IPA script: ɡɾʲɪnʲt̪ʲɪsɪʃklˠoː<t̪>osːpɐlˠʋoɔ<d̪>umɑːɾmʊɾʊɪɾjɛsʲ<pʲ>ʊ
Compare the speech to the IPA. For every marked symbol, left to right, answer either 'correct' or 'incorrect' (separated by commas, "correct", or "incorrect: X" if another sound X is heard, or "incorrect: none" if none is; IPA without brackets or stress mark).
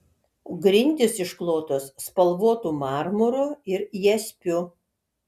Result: correct, incorrect: t̪, correct